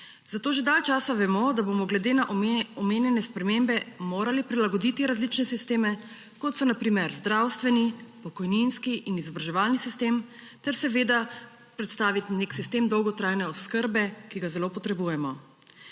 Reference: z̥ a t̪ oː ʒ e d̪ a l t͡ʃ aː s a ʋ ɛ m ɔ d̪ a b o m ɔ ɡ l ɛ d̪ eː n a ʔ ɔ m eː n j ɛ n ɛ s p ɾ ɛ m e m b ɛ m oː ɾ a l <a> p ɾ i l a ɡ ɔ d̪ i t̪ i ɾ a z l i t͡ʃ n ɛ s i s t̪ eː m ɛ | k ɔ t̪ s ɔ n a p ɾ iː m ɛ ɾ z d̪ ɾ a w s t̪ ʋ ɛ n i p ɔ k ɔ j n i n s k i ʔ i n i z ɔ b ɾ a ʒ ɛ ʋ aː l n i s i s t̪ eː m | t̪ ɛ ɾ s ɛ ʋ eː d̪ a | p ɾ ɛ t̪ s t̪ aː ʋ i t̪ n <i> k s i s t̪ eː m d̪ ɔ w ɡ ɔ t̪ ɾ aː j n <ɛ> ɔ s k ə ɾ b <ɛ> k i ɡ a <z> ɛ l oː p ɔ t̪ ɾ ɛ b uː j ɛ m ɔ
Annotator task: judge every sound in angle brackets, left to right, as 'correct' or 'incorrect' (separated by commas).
incorrect, incorrect, correct, correct, correct